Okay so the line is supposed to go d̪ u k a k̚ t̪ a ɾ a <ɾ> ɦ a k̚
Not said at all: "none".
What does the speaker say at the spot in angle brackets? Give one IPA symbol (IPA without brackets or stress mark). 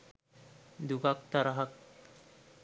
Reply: none